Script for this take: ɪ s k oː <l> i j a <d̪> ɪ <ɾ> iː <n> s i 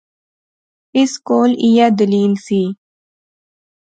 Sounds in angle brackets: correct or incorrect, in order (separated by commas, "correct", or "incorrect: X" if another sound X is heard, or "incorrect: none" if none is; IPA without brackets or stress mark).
correct, correct, incorrect: l, correct